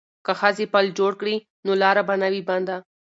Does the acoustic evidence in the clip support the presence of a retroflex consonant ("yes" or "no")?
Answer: yes